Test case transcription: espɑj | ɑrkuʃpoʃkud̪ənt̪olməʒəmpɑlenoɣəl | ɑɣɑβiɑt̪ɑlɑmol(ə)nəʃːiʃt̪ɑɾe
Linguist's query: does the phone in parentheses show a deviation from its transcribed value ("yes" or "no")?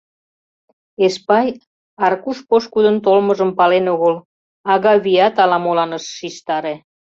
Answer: yes